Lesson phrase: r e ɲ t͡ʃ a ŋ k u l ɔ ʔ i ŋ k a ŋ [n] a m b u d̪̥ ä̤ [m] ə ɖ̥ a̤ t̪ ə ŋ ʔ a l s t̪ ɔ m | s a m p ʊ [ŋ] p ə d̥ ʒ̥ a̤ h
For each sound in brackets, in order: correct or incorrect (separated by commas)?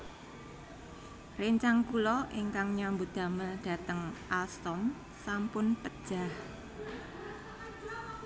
incorrect, correct, incorrect